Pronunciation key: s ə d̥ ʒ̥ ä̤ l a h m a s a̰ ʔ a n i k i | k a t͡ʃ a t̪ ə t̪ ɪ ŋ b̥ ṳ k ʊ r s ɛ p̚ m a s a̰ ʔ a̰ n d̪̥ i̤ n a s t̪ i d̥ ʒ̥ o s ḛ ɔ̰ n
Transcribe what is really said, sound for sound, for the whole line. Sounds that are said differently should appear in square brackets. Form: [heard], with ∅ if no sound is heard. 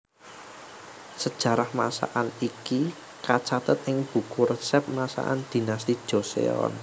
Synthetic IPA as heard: s ə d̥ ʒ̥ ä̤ [ɾ] a h m a s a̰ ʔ a n i k i | k a t͡ʃ a t̪ ə t̪ ɪ ŋ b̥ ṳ k ʊ r s ɛ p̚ m a s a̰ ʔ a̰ n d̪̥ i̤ n a s t̪ i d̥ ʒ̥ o s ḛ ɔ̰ n